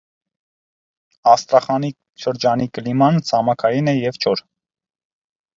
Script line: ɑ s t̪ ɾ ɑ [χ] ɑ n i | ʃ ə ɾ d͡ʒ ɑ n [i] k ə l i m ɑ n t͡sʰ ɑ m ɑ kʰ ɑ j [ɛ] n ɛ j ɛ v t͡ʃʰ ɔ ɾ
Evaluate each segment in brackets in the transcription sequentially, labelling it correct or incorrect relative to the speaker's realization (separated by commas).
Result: correct, correct, incorrect